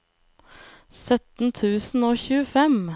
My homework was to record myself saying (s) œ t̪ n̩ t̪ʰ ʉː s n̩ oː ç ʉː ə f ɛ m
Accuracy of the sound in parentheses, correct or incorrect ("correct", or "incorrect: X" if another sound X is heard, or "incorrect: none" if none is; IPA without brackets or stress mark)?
correct